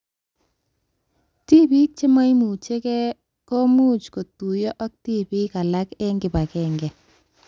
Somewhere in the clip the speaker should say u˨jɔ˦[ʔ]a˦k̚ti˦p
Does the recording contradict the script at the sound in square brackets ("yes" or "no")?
no